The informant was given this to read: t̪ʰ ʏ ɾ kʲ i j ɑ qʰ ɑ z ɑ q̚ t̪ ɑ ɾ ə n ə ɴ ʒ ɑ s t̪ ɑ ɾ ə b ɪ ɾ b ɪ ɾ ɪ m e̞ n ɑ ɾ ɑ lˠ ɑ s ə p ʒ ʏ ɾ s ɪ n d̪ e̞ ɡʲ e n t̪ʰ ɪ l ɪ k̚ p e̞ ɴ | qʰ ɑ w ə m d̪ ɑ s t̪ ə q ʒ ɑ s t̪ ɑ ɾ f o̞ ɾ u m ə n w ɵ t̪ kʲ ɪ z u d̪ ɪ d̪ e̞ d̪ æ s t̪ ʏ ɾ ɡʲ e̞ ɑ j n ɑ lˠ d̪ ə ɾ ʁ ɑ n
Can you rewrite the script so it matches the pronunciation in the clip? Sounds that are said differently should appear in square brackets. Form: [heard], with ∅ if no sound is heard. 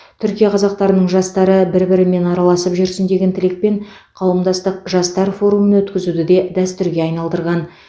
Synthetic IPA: t̪ʰ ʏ ɾ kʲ i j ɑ qʰ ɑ z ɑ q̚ t̪ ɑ ɾ ə n ə ɴ ʒ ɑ s t̪ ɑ ɾ ə b ɪ ɾ b ɪ ɾ ɪ m e̞ n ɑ ɾ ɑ lˠ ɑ s ə p ʒ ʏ ɾ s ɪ n d̪ e̞ ɡʲ e n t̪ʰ ɪ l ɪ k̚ p e̞ ɴ | qʰ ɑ w ə m d̪ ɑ s t̪ ə q ʒ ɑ s t̪ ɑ ɾ f o̞ ɾ u m ə n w ɵ t̪ kʲ ɪ z u d̪ ɪ d̪ e̞ d̪ æ s t̪ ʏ ɾ ɡʲ e̞ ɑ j n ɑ lˠ d̪ ə ɾ ʁ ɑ n

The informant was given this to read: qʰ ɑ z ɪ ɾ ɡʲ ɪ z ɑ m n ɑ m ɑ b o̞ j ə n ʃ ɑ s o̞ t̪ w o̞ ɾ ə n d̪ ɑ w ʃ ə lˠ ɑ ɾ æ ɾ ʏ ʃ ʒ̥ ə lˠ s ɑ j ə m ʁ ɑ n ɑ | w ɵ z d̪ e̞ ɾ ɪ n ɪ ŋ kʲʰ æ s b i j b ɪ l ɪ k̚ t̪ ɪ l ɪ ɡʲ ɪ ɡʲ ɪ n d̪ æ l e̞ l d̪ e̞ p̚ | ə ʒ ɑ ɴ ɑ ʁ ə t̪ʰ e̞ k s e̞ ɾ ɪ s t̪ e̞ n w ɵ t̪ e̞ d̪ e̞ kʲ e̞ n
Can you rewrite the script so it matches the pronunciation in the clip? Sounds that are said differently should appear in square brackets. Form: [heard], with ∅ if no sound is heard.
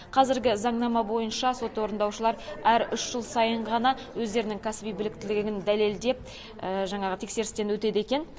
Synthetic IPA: qʰ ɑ z ɪ ɾ ɡʲ ɪ z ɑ [ɴ] n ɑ m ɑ b o̞ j ə n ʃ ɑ s o̞ t̪ w o̞ ɾ ə n d̪ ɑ w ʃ ə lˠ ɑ ɾ æ ɾ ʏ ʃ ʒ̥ ə lˠ s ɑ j ə [ɴ] ʁ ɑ n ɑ | w ɵ z d̪ e̞ ɾ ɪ n ɪ ŋ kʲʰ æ s b i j b ɪ l ɪ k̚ t̪ ɪ l ɪ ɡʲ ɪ ɡʲ ɪ n d̪ æ l e̞ l d̪ e̞ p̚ | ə ʒ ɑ ɴ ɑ ʁ ə t̪ʰ e̞ k s e̞ ɾ ɪ s t̪ e̞ n w ɵ t̪ e̞ d̪ e̞ kʲ e̞ n

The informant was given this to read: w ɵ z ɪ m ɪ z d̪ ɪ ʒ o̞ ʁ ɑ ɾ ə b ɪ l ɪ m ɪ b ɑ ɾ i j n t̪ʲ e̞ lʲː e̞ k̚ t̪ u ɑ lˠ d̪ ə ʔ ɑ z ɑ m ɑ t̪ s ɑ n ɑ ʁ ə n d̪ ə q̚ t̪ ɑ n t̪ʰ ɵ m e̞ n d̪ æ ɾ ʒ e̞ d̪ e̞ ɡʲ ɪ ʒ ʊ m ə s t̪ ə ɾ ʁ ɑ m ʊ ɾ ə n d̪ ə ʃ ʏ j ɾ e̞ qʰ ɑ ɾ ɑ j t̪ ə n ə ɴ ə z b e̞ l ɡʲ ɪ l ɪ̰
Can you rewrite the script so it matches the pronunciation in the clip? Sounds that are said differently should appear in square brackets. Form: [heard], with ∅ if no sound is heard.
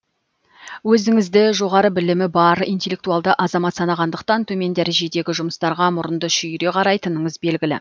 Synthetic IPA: w ɵ z ɪ [ŋ] ɪ z d̪ ɪ ʒ o̞ ʁ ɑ ɾ ə b ɪ l ɪ m ɪ b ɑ ɾ i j n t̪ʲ e̞ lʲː e̞ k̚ t̪ u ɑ lˠ d̪ ə ʔ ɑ z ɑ m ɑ t̪ s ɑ n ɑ ʁ [ɑ] n d̪ ə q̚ t̪ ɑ n t̪ʰ ɵ m e̞ n d̪ æ ɾ ʒ e̞ d̪ e̞ ɡʲ ɪ ʒ ʊ m ə s t̪ [ɑ] ɾ ʁ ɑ m ʊ ɾ ə n d̪ ə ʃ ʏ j ɾ e̞ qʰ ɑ ɾ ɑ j t̪ ə n ə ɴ ə z b e̞ l ɡʲ ɪ l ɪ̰

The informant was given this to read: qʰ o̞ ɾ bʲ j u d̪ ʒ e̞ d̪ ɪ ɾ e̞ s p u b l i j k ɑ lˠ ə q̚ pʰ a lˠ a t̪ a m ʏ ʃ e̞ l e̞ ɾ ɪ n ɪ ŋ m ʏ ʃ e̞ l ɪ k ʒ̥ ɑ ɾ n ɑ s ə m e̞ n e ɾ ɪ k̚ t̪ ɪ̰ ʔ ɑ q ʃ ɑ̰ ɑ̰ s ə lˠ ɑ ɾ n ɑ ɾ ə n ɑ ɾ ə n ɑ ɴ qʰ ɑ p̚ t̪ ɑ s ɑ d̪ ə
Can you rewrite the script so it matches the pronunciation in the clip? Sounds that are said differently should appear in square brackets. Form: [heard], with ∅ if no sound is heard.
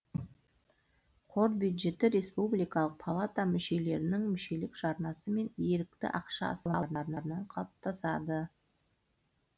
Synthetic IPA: qʰ o̞ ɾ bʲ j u d̪ ʒ e̞ [t̪] ɪ ɾ e̞ s p u b l i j k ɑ lˠ ə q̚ pʰ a lˠ a t̪ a m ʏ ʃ e̞ l e̞ ɾ ɪ n ɪ ŋ m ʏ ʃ e̞ l ɪ k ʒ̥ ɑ ɾ n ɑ s ə m e̞ n e ɾ ɪ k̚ t̪ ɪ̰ ʔ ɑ q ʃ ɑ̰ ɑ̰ s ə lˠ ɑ ɾ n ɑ ɾ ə n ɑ ɾ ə n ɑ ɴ qʰ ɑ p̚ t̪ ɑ s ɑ d̪ ə

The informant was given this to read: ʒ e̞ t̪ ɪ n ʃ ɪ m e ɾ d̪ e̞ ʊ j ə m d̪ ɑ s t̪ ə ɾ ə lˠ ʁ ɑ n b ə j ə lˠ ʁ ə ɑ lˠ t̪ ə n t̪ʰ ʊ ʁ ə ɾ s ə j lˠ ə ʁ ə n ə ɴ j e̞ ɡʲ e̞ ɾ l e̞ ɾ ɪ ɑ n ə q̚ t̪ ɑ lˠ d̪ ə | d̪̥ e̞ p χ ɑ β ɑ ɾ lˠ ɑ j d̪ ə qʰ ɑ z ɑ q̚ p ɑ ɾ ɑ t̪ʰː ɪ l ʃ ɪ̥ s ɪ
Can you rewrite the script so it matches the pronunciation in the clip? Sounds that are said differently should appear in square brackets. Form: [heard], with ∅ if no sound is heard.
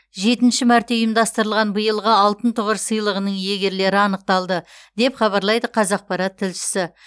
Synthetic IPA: ʒ e̞ t̪ ɪ n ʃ ɪ m [æ] ɾ [t̪] e̞ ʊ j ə m d̪ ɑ s t̪ ə ɾ ə lˠ ʁ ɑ n b ə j ə lˠ ʁ ə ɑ lˠ t̪ ə n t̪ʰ ʊ ʁ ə ɾ s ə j lˠ ə ʁ ə n ə ɴ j e̞ ɡʲ e̞ ɾ l e̞ ɾ ɪ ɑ n ə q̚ t̪ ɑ lˠ d̪ ə | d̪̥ e̞ p χ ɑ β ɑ ɾ lˠ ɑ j d̪ ə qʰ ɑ z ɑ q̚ p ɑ ɾ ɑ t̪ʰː ɪ l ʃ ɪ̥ s ɪ

